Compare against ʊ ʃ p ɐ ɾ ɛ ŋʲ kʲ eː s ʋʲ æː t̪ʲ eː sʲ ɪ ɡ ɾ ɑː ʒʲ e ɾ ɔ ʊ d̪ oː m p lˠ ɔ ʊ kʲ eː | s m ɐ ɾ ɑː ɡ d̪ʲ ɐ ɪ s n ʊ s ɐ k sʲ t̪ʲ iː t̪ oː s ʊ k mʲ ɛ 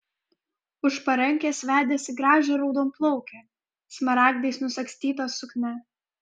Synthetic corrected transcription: ʊ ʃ p ɐ ɾ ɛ ŋʲ kʲ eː s ʋʲ æː d̪ʲ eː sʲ ɪ ɡ ɾ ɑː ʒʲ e ɾ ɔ ʊ d̪ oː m p lˠ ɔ ʊ kʲ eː | s m ɐ ɾ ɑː ɡ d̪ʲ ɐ ɪ s n ʊ s ɐ k sʲ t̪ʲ iː t̪ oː s ʊ k nʲ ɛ